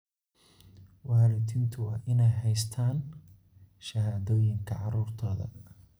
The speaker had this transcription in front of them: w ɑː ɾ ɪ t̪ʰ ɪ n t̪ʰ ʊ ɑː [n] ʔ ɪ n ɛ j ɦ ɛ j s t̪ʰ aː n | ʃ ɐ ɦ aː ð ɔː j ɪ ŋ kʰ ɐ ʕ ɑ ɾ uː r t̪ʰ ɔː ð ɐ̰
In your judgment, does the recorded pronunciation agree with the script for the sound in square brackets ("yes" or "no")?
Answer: no